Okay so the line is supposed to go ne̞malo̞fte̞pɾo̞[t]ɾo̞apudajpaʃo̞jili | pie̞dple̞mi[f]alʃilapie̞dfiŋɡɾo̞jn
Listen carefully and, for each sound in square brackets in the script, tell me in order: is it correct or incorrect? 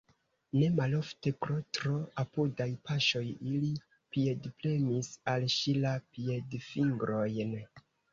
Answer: correct, incorrect: s

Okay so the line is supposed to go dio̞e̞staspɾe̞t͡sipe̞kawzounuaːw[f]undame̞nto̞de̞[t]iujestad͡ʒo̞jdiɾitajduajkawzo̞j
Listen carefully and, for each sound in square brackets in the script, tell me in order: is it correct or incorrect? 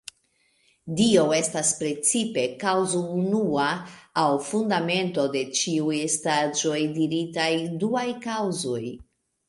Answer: correct, incorrect: t͡ʃ

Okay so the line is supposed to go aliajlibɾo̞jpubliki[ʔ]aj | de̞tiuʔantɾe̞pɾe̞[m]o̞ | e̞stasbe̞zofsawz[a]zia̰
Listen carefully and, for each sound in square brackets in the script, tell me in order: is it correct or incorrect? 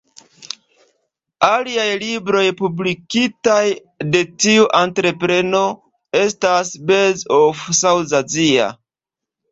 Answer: incorrect: t, incorrect: n, correct

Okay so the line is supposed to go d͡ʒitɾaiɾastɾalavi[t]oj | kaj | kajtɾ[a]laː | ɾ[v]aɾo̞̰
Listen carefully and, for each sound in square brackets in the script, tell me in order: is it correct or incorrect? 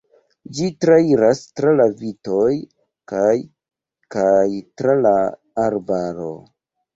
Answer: correct, correct, incorrect: b

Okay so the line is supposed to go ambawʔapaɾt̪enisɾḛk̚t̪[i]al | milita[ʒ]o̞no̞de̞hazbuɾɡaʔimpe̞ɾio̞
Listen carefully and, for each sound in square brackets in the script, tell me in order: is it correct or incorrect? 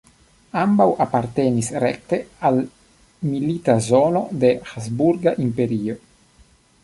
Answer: incorrect: e, incorrect: z

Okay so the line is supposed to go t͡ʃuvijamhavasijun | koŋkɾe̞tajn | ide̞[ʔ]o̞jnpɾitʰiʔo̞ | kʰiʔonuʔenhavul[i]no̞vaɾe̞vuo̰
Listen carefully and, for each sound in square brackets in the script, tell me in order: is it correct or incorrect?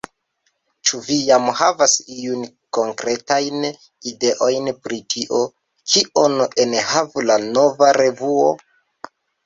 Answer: correct, incorrect: a

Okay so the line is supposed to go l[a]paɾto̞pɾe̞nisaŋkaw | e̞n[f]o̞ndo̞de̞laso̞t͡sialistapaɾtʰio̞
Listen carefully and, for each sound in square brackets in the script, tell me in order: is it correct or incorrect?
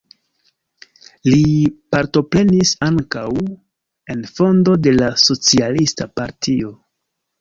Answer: incorrect: i, correct

